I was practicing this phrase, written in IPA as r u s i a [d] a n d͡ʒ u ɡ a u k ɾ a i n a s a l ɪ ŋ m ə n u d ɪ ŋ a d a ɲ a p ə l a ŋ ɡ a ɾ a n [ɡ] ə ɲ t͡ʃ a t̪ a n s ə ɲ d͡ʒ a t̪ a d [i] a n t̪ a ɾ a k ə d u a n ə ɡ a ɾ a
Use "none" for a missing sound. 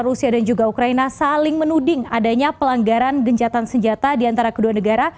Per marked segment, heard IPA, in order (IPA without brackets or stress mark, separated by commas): d, ɡ, i